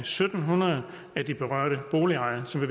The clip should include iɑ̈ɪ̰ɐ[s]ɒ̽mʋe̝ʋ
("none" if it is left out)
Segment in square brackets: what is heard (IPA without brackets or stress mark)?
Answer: s